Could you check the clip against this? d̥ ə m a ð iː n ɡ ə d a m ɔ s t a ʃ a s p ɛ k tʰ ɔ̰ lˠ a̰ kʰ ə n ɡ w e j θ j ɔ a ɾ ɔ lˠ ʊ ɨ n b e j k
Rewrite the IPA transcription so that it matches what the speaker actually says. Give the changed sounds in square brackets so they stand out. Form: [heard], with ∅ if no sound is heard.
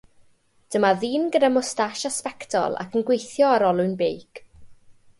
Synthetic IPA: d̥ ə m a ð iː n ɡ ə d a m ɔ s t a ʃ a s p ɛ k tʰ ɔ̰ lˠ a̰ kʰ ə n ɡ w e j θ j ɔ a ɾ ɔ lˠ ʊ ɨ n b e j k